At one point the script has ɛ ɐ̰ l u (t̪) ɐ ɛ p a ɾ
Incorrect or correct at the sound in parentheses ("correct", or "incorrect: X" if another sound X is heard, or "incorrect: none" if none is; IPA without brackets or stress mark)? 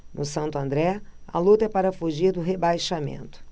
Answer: correct